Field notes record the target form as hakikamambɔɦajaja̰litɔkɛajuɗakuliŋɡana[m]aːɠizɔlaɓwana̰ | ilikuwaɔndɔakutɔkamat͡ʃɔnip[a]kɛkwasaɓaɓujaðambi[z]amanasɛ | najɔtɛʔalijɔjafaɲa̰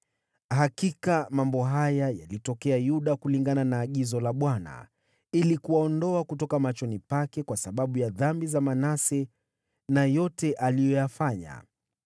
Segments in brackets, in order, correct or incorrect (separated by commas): incorrect, correct, correct